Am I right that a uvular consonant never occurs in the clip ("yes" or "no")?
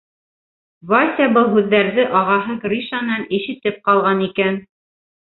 no